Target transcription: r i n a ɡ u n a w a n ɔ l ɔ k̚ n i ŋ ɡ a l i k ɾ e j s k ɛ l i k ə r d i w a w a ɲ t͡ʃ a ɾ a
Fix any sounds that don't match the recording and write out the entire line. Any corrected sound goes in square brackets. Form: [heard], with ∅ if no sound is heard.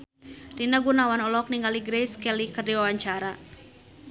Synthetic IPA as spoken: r i n a ɡ u n a w a n ɔ l ɔ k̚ n i ŋ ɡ a l i [ɡ] ɾ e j s k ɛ l i k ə r d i w a w a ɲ t͡ʃ a ɾ a